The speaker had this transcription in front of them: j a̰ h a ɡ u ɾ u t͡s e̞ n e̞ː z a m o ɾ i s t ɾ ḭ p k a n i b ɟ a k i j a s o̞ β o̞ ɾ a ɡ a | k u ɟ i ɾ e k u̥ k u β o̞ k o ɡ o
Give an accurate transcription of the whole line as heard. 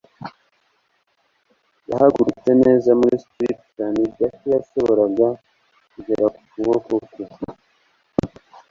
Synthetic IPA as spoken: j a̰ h a ɡ u ɾ u t͡s e̞ n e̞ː z a m u ɾ i s t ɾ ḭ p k a n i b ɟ a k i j a s o̞ β o̞ ɾ a ɡ a | k u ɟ e ɾ a k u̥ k u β o̞ k o k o